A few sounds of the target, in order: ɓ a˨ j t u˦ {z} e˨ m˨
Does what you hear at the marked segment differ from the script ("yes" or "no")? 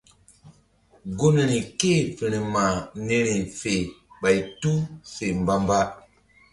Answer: yes